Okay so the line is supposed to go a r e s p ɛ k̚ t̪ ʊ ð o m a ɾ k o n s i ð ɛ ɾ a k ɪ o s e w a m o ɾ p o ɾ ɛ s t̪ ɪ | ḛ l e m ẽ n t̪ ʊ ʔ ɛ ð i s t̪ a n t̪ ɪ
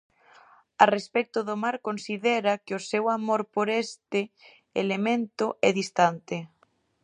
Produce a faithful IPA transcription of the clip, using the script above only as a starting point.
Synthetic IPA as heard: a r e s p ɛ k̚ t̪ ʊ ð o m a ɾ k o n s i ð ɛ ɾ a k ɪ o s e w a m o ɾ p o ɾ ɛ s t̪ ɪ | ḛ l e m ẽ n t̪ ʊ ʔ ɛ ð i s t̪ a n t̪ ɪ